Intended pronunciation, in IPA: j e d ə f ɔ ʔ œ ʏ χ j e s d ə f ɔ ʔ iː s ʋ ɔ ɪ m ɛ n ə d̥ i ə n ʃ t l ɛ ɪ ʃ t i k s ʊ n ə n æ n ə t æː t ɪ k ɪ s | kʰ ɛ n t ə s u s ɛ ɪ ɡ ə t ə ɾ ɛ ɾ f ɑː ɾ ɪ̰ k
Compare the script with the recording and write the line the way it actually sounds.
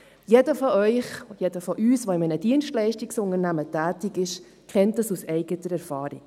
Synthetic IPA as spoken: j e d ə f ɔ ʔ œ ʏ χ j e d ə f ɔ ʔ yː s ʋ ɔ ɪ m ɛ n ə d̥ i ə n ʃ t l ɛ ɪ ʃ t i k s ʊ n ə n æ m ə t æː t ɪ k ɪ ʃ | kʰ ɛ n t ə s u s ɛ ɪ ɡ ə t ə ɾ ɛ ɾ f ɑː ɾ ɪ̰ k